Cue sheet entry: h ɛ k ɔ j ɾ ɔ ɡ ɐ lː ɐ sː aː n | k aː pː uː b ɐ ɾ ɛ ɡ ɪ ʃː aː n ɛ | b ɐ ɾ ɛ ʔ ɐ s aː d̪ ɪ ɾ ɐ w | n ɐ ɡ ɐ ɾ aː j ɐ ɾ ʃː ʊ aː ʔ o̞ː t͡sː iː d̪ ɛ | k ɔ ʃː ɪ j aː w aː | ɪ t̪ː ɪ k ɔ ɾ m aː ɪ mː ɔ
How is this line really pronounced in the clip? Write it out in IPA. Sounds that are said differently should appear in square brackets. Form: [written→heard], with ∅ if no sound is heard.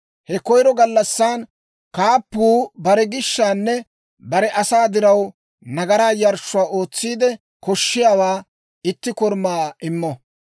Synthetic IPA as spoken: h ɛ k ɔ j ɾ ɔ ɡ ɐ lː ɐ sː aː n | k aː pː uː b ɐ ɾ ɛ ɡ ɪ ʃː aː [n→nː] ɛ | b ɐ ɾ ɛ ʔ ɐ s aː d̪ ɪ ɾ ɐ w | n ɐ ɡ ɐ ɾ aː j ɐ ɾ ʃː ʊ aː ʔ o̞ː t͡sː iː d̪ ɛ | k ɔ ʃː ɪ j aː w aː | ɪ t̪ː ɪ k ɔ ɾ m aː ɪ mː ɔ